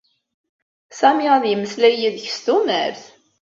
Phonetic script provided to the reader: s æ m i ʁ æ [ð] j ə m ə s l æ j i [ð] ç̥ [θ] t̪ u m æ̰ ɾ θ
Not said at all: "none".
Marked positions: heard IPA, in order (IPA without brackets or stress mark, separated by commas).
ð, ð, s